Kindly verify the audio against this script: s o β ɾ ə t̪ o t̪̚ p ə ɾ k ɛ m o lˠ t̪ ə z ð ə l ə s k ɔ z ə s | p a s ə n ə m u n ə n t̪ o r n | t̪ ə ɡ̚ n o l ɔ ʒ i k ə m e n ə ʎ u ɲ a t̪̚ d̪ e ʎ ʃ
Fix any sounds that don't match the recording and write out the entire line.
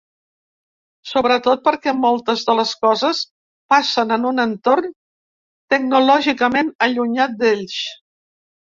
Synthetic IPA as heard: s o β ɾ ə t̪ o t̪̚ p ə ɾ k ɛ m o lˠ t̪ ə z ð ə l ə s k ɔ z ə s | p a s ə n ə n u n ə n t̪ o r n | t̪ ə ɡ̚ n u l ɔ ʒ i k ə m e n ə ʎ u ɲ a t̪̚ d̪ e ʎ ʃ